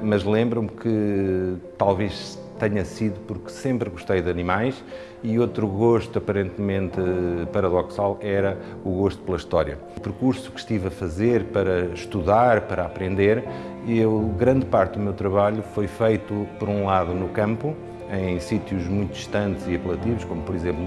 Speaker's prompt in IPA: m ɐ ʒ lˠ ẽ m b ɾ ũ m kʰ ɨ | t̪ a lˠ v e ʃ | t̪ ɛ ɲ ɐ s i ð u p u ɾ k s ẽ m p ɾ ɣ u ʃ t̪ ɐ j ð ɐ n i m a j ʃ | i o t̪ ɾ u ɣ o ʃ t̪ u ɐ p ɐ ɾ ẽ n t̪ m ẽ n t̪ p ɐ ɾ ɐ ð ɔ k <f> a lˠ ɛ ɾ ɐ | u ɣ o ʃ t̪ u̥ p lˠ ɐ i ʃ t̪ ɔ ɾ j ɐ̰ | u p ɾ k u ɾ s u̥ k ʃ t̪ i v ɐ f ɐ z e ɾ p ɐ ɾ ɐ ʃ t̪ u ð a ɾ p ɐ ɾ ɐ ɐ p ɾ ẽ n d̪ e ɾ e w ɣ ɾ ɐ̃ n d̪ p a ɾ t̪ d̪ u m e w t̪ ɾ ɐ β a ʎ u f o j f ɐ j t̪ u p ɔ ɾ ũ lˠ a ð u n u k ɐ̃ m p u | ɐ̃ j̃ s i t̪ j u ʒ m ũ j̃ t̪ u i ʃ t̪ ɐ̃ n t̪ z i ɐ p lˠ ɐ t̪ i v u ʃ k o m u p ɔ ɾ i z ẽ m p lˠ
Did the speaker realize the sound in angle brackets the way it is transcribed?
no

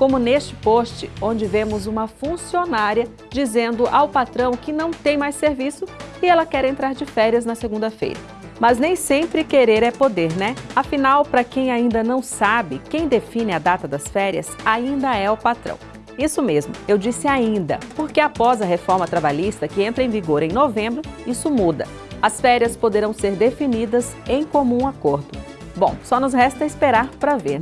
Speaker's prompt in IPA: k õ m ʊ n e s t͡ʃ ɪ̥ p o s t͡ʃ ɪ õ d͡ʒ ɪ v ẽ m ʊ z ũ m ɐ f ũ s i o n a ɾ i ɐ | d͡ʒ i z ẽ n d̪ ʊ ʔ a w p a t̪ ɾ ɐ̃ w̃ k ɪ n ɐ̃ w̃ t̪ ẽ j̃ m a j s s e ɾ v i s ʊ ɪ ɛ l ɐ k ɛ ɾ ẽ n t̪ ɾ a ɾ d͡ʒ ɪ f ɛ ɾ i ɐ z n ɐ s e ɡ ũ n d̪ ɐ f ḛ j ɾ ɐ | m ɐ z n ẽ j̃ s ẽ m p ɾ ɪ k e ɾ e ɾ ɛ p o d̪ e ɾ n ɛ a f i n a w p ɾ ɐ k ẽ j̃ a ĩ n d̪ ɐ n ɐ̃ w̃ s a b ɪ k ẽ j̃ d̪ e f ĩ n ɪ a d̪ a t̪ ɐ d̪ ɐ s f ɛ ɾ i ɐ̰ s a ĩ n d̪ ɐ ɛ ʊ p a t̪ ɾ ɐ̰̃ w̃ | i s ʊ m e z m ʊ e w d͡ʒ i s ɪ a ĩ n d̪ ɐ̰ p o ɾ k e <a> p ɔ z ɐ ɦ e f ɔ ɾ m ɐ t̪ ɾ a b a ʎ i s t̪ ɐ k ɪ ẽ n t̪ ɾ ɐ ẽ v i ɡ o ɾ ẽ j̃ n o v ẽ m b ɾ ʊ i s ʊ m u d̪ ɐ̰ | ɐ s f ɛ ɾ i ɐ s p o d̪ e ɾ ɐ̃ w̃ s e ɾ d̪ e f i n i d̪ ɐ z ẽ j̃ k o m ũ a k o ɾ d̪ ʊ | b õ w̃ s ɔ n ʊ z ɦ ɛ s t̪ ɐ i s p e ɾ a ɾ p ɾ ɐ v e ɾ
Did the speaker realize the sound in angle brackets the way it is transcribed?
yes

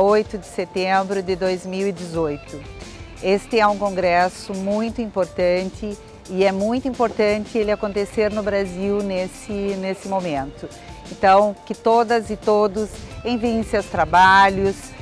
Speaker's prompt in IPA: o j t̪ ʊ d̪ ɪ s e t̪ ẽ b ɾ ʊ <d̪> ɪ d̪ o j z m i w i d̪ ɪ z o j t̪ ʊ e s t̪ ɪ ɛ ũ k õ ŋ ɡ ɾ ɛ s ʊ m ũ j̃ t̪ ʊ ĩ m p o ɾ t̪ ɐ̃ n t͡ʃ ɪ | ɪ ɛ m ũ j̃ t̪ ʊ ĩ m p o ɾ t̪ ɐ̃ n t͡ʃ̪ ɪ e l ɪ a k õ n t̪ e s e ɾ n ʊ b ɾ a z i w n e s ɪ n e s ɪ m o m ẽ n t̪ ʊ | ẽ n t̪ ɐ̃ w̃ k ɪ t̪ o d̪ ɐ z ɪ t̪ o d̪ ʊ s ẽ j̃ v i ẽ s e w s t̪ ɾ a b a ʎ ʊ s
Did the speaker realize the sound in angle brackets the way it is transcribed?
yes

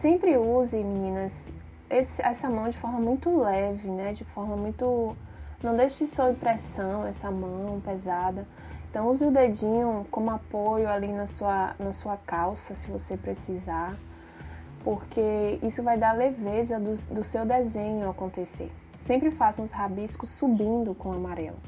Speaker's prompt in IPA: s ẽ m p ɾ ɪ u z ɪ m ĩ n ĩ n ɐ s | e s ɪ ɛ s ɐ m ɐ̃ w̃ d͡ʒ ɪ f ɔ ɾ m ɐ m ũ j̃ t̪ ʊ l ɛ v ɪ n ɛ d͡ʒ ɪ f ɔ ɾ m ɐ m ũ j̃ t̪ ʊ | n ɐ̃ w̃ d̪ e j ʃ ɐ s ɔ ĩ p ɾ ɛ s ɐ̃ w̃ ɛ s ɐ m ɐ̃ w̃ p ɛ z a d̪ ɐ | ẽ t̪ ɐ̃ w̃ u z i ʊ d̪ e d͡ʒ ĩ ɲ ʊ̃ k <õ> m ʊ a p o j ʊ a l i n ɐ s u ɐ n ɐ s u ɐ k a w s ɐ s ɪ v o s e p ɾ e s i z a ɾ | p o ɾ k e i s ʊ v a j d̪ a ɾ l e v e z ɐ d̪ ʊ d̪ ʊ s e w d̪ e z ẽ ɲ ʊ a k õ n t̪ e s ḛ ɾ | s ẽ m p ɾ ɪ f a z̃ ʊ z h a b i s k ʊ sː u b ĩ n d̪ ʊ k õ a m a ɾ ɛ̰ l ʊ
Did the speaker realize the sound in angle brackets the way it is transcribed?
yes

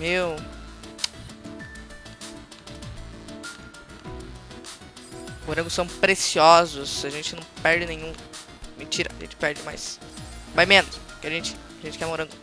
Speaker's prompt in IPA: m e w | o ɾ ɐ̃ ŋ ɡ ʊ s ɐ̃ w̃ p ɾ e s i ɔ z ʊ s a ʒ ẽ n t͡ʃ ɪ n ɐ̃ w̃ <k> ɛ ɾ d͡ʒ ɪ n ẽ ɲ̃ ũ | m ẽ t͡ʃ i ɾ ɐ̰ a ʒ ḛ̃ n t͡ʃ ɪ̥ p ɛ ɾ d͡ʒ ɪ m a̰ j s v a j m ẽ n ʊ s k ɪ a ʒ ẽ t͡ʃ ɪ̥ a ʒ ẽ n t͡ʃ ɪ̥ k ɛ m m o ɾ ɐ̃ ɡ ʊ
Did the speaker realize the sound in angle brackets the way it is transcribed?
no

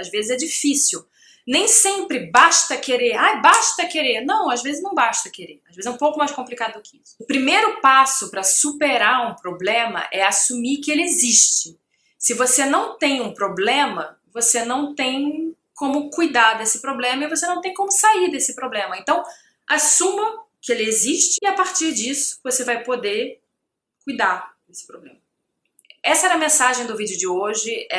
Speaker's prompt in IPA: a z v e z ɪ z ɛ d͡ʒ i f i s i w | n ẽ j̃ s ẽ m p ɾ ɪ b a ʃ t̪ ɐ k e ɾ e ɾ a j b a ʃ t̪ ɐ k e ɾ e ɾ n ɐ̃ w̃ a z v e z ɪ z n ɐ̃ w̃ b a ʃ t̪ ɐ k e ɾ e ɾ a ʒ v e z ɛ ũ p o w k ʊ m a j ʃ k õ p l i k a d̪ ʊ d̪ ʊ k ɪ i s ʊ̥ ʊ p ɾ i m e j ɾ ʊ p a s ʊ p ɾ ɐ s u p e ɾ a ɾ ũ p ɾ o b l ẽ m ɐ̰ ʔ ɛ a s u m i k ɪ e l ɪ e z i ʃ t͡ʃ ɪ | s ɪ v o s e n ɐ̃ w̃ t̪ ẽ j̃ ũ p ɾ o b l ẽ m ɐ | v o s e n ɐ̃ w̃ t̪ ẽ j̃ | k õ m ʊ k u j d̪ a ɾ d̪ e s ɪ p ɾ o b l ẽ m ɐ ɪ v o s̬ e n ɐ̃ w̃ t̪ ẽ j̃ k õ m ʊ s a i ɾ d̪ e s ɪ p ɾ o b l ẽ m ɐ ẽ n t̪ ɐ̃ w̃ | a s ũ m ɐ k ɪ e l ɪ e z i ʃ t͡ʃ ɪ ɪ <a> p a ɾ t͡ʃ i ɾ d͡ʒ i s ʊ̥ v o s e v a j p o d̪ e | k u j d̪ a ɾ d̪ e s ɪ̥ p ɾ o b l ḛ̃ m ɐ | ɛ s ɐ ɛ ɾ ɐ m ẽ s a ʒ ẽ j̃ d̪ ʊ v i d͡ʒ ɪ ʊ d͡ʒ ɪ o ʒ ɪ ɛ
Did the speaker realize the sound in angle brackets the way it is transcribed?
yes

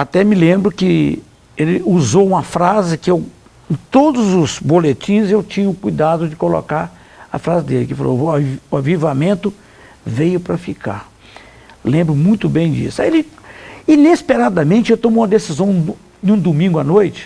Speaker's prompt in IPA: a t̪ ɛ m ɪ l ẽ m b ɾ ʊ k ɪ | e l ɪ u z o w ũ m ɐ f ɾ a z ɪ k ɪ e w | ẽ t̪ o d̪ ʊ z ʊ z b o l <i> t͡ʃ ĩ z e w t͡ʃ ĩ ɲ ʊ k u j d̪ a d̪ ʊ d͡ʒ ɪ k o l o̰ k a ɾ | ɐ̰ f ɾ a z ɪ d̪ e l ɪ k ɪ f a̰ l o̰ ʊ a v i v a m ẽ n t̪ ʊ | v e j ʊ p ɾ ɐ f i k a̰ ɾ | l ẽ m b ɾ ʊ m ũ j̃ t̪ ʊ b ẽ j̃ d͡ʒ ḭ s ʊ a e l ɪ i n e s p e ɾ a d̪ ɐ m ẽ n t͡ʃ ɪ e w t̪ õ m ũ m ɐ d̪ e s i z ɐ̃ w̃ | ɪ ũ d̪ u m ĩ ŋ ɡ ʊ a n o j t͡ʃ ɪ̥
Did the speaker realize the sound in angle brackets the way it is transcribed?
no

